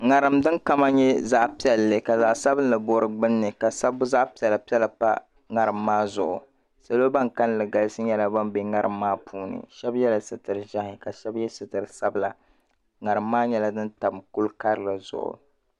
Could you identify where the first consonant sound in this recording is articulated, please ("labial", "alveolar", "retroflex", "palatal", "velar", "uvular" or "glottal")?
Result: velar